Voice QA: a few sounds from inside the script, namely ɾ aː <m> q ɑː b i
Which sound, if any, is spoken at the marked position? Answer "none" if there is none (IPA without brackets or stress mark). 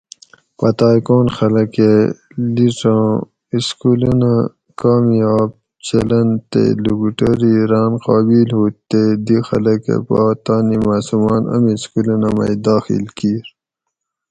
n